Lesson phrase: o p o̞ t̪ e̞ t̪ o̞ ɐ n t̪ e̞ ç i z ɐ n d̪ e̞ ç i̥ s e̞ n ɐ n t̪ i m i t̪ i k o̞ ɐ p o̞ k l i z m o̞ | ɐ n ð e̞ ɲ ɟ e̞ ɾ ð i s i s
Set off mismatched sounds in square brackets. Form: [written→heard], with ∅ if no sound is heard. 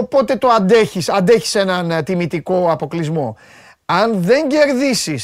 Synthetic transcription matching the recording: o p o̞ t̪ e̞ t̪ o̞ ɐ n [t̪→d̪] e̞ ç i [z→s] ɐ n d̪ e̞ ç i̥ s e̞ n ɐ n t̪ i m i t̪ i k o̞ ɐ p o̞ k l i z m o̞ | ɐ n ð e̞ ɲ ɟ e̞ ɾ ð i s i s